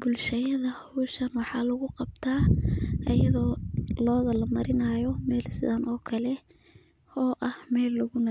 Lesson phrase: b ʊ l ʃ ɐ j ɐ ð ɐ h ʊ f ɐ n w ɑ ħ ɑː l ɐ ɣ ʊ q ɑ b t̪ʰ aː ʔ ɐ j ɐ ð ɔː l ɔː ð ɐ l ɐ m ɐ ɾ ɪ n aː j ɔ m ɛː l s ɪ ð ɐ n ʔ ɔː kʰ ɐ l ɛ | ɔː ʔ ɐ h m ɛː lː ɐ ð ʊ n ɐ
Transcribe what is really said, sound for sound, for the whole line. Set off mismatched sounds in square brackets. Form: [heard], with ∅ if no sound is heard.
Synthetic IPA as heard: b ʊ l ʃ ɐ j ɐ ð ɐ h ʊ [ʃ] ɐ n w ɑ ħ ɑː l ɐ ɣ ʊ q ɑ b t̪ʰ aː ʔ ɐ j ɐ ð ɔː l ɔː ð ɐ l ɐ m ɐ ɾ ɪ n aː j ɔ m ɛː l s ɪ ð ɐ n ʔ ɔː kʰ ɐ l ɛ | ɔː ʔ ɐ h m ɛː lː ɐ [ɣ] ʊ n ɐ